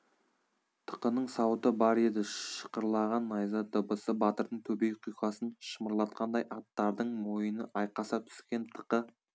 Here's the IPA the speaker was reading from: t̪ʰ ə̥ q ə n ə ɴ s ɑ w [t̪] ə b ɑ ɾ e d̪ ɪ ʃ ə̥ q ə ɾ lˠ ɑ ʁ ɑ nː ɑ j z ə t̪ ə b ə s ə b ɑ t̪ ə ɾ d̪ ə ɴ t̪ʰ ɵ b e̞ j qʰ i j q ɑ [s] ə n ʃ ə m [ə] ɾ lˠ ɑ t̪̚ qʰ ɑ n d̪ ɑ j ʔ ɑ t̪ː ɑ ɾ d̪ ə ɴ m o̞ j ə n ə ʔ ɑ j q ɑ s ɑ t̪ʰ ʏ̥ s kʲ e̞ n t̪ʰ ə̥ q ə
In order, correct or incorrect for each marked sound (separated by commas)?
correct, correct, correct